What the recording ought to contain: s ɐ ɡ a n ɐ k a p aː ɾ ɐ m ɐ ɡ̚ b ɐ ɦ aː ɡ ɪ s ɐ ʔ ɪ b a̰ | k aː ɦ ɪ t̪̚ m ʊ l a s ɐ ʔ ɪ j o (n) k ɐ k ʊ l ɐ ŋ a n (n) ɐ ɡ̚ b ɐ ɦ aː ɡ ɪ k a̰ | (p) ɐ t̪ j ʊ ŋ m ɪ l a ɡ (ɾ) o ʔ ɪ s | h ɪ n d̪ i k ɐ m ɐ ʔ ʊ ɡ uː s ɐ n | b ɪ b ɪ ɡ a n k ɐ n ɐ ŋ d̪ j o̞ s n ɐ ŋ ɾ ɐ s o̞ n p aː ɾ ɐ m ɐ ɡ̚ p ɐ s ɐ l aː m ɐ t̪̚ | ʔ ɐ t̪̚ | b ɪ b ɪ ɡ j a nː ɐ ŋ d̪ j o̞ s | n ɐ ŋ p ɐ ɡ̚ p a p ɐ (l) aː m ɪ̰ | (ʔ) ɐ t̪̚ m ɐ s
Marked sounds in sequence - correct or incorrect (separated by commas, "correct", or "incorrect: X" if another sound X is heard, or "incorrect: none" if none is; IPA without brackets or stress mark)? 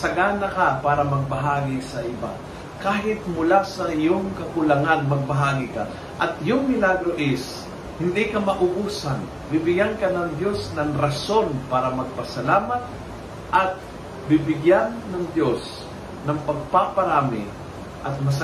incorrect: ŋ, incorrect: m, incorrect: ʔ, correct, incorrect: ɾ, correct